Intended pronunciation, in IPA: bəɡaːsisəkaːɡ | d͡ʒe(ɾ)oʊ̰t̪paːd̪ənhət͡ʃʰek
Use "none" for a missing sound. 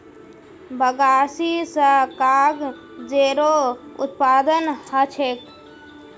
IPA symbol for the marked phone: ɾ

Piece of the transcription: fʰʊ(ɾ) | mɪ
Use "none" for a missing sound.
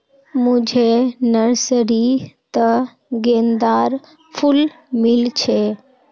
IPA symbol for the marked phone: l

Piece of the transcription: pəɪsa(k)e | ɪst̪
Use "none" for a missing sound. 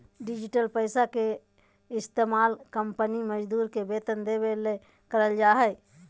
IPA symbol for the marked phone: k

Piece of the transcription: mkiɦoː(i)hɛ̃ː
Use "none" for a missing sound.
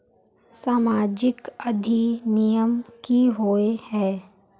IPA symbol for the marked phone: e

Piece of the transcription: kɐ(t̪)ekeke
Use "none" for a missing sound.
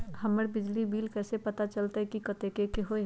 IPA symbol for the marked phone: t̪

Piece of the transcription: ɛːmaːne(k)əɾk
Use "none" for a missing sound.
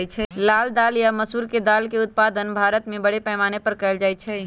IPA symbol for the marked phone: p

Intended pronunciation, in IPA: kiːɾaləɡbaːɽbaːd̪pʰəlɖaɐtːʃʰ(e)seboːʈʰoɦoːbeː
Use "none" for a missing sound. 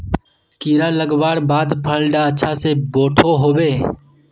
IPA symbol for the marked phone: a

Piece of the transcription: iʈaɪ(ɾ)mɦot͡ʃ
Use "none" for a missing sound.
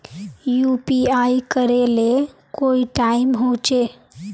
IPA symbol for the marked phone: none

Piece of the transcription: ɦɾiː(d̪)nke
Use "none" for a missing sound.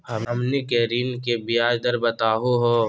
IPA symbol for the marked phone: none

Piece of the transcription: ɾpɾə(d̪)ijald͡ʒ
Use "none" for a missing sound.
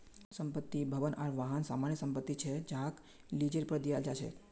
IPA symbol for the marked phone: d̪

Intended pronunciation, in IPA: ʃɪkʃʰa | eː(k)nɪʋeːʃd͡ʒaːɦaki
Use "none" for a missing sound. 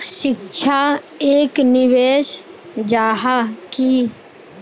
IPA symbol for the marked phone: k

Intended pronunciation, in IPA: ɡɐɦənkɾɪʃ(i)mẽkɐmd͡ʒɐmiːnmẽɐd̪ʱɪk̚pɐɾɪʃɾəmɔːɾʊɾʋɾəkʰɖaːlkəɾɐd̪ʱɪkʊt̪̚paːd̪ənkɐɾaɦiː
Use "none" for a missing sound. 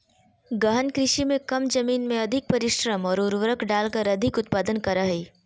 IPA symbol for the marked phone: i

